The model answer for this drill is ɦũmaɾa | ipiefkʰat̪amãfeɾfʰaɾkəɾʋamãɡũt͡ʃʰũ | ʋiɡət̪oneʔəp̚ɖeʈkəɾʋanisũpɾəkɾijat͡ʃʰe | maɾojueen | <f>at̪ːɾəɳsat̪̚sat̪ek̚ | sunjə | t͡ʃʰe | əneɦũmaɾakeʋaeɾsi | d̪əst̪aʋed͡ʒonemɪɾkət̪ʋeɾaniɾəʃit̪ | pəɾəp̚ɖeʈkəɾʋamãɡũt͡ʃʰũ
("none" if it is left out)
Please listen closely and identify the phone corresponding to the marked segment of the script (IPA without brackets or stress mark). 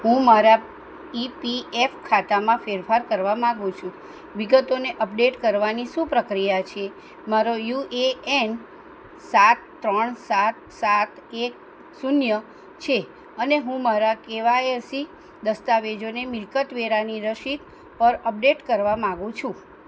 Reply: s